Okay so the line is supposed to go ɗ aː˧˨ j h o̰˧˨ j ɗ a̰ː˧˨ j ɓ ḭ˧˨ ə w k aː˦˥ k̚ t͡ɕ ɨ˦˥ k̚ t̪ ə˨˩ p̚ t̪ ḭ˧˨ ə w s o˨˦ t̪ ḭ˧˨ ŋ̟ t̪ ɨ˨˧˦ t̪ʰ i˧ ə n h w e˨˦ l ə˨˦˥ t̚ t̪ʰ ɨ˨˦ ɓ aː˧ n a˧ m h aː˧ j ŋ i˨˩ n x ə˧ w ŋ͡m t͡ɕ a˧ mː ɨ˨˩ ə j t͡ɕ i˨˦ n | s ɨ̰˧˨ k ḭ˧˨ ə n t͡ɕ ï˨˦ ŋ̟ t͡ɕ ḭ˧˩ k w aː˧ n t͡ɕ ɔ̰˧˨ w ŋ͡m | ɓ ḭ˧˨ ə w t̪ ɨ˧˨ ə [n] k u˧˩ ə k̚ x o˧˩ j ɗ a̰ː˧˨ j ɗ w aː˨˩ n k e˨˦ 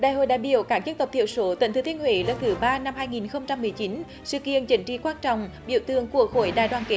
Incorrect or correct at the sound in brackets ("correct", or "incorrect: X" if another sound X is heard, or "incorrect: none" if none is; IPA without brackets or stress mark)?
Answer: incorrect: ŋ